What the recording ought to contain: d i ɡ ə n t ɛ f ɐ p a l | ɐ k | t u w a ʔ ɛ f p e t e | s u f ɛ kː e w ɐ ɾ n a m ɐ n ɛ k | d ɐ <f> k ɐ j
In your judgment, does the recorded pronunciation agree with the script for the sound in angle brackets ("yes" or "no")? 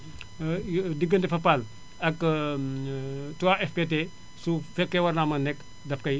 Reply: yes